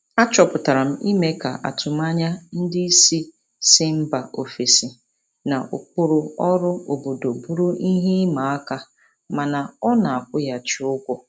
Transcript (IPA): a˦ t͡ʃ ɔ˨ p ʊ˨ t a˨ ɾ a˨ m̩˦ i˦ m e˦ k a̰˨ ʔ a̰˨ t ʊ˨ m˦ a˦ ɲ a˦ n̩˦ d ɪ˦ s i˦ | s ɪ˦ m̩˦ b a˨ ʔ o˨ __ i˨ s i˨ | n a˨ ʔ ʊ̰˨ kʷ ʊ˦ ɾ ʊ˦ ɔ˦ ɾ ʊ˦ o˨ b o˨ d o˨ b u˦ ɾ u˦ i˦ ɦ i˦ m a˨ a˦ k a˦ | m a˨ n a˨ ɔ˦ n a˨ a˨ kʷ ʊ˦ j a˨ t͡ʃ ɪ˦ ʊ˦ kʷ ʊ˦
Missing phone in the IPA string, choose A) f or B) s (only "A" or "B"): A